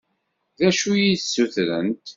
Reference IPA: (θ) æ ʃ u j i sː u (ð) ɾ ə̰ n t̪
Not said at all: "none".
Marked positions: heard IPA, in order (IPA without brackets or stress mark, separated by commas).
ð, θ